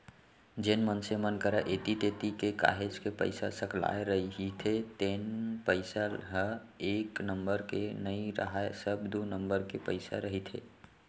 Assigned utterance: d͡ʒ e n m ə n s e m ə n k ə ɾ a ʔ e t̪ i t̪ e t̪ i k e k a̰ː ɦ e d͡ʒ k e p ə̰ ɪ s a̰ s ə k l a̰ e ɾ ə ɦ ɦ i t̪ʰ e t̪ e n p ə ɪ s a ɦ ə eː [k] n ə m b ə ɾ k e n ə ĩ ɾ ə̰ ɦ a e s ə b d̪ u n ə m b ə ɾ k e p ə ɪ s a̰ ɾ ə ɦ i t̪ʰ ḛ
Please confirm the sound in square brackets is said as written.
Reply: yes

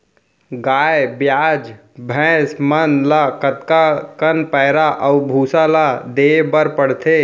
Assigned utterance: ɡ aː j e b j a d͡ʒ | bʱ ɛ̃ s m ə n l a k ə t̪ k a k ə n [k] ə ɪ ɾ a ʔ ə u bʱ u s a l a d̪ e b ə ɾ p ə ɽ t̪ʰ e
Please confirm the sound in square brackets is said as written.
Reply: no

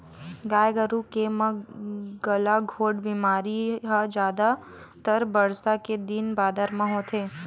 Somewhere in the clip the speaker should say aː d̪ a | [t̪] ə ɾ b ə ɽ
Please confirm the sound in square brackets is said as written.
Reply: yes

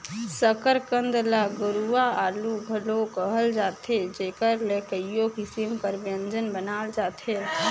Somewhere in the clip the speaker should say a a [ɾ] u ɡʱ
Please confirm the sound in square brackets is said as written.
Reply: no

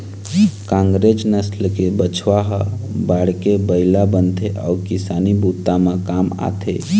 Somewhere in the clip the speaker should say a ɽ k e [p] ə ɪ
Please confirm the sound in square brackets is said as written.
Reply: no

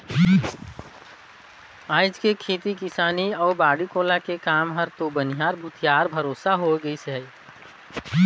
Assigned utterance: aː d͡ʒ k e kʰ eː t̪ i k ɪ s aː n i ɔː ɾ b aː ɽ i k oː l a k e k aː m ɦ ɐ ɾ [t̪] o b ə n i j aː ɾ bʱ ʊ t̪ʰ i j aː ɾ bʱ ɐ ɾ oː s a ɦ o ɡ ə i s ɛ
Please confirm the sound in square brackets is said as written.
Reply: yes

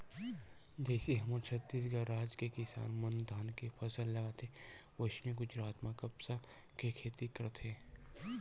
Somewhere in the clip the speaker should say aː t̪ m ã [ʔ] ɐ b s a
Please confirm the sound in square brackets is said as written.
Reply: no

